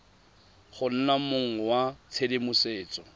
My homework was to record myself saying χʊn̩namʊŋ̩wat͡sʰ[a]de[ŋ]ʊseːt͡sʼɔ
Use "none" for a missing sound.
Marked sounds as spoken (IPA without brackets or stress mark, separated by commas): e, m